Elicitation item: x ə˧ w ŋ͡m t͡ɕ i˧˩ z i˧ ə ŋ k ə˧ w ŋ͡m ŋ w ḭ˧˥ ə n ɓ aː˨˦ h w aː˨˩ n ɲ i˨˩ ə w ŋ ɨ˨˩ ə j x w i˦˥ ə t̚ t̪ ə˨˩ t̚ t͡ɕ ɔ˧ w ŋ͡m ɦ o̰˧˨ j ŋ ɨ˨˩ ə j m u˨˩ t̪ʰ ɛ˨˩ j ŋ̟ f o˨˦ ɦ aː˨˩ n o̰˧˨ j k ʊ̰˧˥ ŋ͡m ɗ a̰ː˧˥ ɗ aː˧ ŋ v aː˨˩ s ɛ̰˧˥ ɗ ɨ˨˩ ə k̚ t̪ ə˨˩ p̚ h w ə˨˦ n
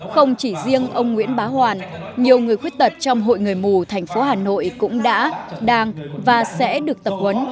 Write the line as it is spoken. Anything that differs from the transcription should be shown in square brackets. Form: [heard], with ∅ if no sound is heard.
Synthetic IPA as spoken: x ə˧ w ŋ͡m t͡ɕ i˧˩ z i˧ ə ŋ [ʔ] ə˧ w ŋ͡m ŋ w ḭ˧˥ ə n ɓ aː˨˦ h w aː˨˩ n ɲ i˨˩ ə w ŋ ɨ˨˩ ə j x w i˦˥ ə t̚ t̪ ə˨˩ t̚ t͡ɕ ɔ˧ w ŋ͡m ɦ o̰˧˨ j ŋ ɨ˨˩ ə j m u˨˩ t̪ʰ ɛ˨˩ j ŋ̟ f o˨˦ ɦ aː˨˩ n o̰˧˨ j k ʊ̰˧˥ ŋ͡m ɗ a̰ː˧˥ ɗ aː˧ ŋ v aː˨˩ s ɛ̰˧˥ ɗ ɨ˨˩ ə k̚ t̪ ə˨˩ p̚ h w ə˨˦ n

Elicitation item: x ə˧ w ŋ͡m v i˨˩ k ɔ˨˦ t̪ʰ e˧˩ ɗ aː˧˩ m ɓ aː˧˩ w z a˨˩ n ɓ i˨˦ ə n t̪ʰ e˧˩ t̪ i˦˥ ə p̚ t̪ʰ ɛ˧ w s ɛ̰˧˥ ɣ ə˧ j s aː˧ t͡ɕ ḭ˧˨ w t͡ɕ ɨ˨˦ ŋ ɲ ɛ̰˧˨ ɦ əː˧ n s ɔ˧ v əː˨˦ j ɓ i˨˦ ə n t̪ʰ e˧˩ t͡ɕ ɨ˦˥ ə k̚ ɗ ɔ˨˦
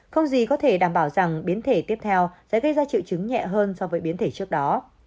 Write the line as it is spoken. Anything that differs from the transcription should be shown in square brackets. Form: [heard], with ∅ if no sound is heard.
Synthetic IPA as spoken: x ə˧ w ŋ͡m [z] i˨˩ k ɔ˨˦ t̪ʰ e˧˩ ɗ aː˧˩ m ɓ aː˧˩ w z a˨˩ [ŋ] ɓ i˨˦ ə n t̪ʰ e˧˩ t̪ i˦˥ ə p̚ t̪ʰ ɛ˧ w s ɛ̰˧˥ ɣ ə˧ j [z] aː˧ t͡ɕ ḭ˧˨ w t͡ɕ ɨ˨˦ ŋ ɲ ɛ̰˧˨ ɦ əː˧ n s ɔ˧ v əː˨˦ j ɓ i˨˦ ə n t̪ʰ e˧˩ t͡ɕ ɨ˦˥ ə k̚ ɗ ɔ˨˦

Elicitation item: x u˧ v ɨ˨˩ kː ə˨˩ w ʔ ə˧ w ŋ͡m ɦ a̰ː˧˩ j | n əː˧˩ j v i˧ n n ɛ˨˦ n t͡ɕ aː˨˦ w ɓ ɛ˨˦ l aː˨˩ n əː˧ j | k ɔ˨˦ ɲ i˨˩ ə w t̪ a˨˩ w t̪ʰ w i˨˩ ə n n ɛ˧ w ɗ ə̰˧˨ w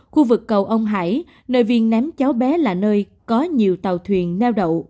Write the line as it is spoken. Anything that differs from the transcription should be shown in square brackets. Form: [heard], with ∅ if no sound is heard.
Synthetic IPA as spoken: x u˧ v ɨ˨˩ kː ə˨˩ w ʔ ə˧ w ŋ͡m ɦ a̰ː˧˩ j | n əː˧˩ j v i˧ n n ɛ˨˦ [m] t͡ɕ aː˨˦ w ɓ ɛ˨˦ l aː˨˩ n əː˧ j | k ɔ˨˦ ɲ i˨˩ ə w t̪ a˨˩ w t̪ʰ w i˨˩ ə n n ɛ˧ w ɗ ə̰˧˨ w

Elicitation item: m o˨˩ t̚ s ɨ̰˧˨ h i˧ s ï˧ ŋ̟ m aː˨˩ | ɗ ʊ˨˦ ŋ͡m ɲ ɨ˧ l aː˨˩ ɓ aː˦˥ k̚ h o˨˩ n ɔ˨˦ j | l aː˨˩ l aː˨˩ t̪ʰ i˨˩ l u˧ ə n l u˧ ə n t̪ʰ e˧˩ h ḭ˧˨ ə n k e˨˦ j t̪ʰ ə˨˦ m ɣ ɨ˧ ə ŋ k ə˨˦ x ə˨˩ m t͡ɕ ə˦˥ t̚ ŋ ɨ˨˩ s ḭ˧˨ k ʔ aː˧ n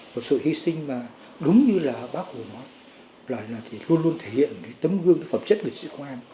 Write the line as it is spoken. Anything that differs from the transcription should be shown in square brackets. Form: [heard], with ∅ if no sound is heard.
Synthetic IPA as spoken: m o˨˩ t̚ s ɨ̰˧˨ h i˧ s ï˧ ŋ̟ m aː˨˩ | ɗ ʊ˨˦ ŋ͡m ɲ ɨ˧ l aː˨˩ ɓ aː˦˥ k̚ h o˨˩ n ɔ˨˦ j | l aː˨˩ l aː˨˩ t̪ʰ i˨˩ l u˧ ə n l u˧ ə n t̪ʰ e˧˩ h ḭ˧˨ ə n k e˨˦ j [t̪] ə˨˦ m ɣ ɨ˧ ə ŋ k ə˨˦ [f] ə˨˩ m t͡ɕ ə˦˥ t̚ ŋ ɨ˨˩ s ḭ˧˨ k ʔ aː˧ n

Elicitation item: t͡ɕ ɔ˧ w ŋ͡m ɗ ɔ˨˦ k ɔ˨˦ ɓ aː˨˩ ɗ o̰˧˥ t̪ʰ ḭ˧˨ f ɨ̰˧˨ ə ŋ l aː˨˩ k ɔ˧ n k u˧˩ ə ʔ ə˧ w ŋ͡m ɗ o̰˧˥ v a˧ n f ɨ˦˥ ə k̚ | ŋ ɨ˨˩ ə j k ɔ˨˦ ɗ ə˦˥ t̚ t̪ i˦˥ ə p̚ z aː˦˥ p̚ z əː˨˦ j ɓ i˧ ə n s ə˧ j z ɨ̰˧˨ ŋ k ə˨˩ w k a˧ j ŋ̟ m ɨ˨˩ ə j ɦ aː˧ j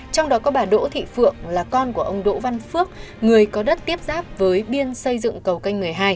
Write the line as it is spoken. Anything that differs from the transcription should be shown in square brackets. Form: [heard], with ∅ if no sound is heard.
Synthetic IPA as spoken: t͡ɕ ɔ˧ w ŋ͡m ɗ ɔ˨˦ k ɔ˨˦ ɓ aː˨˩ ɗ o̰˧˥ t̪ʰ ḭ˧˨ f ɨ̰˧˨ ə ŋ l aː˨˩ k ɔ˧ n k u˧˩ ə ʔ ə˧ w ŋ͡m ɗ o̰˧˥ v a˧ n f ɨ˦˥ ə k̚ | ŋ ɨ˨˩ ə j k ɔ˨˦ ɗ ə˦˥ t̚ t̪ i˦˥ ə p̚ z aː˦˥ p̚ [v] əː˨˦ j ɓ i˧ ə n s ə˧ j z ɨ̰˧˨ ŋ k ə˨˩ w k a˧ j ŋ̟ m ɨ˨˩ ə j ɦ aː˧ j

